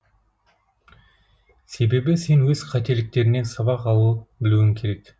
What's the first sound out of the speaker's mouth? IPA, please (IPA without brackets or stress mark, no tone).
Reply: s